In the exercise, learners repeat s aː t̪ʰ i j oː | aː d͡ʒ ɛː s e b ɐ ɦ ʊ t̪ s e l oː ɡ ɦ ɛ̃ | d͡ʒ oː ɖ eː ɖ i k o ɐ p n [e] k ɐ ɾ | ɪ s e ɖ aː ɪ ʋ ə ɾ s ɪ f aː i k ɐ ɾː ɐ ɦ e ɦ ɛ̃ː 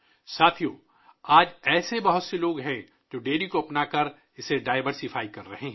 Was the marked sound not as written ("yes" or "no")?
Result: yes